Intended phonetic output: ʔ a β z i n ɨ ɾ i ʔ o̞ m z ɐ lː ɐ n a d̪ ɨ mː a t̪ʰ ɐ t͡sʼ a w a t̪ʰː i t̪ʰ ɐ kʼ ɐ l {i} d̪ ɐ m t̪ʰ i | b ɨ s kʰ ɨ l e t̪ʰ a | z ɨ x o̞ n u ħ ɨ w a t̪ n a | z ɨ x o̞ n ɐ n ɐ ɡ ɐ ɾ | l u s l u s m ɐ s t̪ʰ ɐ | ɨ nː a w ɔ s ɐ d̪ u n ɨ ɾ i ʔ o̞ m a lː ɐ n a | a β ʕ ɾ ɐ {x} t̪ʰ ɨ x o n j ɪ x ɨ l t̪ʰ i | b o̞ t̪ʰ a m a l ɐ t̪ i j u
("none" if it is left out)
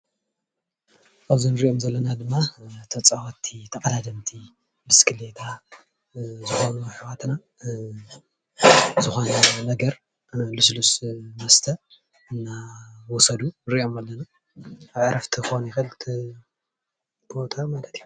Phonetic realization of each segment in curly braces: a, f

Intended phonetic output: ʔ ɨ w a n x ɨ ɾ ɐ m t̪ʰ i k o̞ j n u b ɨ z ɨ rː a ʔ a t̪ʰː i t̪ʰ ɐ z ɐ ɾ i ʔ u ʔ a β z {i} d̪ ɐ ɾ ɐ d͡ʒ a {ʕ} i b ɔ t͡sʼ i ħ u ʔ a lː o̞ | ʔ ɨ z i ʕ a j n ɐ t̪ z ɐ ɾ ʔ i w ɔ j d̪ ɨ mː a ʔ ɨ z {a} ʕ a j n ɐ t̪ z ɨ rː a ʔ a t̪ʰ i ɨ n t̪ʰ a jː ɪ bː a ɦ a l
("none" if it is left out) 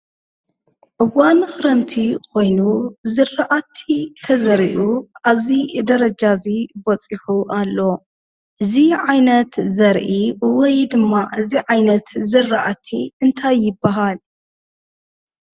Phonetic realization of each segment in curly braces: i, z, i

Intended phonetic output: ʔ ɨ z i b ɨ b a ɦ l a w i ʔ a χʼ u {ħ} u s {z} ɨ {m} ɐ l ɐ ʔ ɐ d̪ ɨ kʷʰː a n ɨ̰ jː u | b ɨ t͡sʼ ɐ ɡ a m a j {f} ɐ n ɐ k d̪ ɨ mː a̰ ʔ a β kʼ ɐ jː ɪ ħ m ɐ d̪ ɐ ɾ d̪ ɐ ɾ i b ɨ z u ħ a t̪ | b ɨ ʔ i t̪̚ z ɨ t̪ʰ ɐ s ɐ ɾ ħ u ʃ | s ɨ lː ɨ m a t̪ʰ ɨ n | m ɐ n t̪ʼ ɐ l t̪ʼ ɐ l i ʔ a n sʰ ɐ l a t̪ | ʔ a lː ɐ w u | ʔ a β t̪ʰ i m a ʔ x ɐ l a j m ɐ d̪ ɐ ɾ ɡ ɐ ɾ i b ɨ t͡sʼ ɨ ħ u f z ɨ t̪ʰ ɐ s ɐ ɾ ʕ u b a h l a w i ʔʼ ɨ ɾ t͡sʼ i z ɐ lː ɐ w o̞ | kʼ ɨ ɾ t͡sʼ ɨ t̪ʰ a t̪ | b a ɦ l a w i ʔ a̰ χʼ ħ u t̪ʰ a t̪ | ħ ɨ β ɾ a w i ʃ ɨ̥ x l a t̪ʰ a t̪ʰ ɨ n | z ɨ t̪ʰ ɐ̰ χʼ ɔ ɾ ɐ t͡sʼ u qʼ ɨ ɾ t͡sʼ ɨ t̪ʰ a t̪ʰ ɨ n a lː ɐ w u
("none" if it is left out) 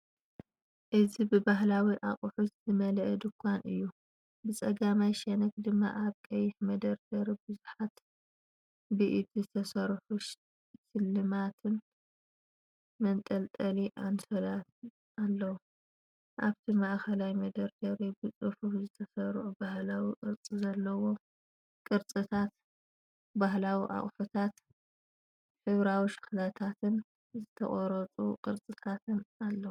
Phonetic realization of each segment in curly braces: ħ, z, m, ʃ

